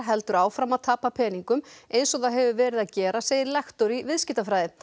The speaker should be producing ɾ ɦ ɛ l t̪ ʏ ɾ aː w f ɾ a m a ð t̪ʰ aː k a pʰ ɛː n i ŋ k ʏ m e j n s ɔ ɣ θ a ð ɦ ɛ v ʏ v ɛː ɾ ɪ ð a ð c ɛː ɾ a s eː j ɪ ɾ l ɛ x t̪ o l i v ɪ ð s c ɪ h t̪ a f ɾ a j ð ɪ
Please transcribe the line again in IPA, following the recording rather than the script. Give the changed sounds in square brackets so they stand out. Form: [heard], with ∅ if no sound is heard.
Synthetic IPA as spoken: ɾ ɦ ɛ l t̪ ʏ ɾ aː w f ɾ a m a ð t̪ʰ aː [p] a pʰ ɛː n i ŋ k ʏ m e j n s ɔ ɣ θ a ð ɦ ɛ v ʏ v ɛː ɾ ɪ ð a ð c ɛː ɾ a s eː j ɪ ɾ l ɛ x t̪ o [ɾ] i v ɪ ð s c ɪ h t̪ a f ɾ a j ð ɪ